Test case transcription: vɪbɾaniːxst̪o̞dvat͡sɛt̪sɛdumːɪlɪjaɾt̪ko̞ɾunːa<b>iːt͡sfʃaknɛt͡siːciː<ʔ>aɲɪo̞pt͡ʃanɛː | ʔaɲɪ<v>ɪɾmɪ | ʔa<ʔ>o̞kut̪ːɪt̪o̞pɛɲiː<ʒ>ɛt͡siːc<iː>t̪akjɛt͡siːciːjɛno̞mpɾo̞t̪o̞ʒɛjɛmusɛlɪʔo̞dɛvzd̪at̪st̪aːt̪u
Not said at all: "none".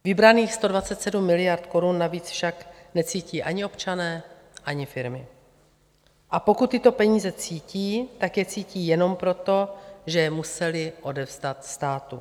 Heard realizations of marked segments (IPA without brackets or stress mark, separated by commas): v, ʔ, f, p, z, iː